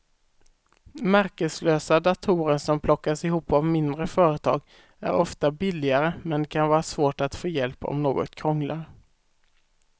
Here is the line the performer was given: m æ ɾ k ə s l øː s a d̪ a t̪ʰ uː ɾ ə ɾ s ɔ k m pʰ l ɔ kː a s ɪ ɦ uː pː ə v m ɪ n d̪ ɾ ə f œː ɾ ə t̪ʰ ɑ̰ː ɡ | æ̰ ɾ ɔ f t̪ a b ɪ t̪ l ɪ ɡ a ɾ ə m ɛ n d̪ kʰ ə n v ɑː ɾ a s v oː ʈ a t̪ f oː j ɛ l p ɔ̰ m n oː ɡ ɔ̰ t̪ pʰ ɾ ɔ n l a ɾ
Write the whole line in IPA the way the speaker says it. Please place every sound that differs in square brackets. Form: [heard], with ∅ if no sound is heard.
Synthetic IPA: m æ ɾ k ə s l øː s a d̪ a t̪ʰ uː ɾ ə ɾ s ɔ [∅] m pʰ l ɔ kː a s ɪ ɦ uː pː [a] v m ɪ n d̪ ɾ ə f œː ɾ ə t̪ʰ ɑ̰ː ɡ | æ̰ ɾ ɔ f t̪ a b ɪ [∅] l ɪ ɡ a ɾ ə m ɛ n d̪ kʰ [a] n v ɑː ɾ a s v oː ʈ a t̪ f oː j ɛ l p ɔ̰ m n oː ɡ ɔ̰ t̪ [kʰ] ɾ ɔ [ŋ] l a ɾ